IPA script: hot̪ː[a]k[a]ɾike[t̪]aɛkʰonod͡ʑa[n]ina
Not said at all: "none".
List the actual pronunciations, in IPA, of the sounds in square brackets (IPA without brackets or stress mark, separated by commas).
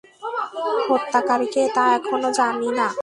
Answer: a, a, t̪, n